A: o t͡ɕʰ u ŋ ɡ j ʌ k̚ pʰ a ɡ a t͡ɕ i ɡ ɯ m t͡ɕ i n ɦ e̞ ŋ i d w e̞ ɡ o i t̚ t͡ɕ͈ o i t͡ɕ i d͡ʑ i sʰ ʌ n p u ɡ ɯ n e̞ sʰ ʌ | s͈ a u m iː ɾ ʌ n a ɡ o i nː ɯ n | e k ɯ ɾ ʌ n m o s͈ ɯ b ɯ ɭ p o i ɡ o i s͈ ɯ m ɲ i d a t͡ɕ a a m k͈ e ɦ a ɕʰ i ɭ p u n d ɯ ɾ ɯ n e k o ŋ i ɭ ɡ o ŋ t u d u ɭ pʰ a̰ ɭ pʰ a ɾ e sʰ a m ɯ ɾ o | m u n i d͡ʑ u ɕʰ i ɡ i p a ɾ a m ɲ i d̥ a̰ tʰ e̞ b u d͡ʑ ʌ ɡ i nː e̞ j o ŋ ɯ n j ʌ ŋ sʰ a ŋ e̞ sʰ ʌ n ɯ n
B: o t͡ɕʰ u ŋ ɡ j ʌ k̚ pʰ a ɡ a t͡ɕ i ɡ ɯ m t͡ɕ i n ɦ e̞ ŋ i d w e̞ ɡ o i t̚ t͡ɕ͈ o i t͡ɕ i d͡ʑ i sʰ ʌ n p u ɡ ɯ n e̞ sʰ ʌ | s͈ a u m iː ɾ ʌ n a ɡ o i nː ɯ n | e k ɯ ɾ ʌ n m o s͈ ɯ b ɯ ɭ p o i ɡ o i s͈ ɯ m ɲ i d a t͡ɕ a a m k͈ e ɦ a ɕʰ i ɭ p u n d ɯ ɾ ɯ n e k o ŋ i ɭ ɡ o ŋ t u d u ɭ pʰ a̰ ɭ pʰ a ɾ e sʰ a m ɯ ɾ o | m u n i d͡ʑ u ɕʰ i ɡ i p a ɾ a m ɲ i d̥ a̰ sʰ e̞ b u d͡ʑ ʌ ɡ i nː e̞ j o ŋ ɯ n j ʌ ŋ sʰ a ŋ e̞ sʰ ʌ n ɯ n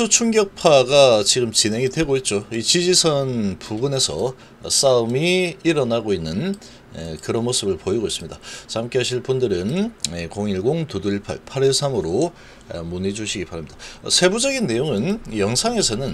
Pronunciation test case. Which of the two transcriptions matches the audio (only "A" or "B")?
B